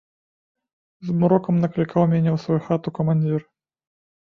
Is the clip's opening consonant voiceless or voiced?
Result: voiced